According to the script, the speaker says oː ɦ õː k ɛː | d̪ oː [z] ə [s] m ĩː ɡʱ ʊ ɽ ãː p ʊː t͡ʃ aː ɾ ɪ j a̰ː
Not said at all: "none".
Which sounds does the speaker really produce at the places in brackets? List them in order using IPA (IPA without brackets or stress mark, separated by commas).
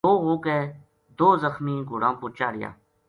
z, x